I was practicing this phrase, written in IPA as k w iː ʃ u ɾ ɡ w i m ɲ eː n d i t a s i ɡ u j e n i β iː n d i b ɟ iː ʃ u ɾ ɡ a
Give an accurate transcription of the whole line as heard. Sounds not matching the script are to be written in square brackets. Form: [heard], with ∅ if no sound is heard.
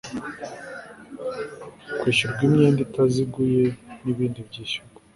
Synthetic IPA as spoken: k w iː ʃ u ɾ ɡ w i m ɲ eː n d i t a [z] i ɡ u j e n i β iː n d i b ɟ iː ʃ u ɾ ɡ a